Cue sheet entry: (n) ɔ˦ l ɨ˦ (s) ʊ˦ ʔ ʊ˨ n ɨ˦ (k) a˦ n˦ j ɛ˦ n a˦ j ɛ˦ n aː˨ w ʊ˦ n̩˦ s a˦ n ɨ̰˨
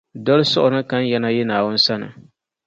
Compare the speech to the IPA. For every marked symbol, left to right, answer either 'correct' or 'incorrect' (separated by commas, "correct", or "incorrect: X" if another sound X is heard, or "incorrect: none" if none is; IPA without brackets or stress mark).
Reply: incorrect: d, correct, correct